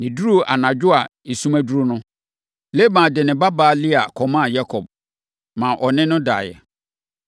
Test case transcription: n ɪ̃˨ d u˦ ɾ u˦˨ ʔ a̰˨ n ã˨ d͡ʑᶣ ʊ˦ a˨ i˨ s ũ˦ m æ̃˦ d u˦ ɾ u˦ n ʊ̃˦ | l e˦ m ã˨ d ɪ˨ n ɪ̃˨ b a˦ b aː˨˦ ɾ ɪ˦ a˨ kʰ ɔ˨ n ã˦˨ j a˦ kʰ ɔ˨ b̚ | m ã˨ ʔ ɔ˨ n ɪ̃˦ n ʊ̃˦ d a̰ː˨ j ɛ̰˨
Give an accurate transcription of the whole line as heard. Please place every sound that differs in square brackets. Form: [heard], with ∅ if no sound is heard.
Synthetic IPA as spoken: n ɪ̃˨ d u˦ ɾ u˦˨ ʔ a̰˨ n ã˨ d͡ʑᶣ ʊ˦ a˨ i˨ s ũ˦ m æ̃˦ d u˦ ɾ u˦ n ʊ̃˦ | l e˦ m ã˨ d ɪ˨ n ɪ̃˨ b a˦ b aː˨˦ [l] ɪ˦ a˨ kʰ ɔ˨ [m] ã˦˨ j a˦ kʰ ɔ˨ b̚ | m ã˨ ʔ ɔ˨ n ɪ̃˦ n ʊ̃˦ d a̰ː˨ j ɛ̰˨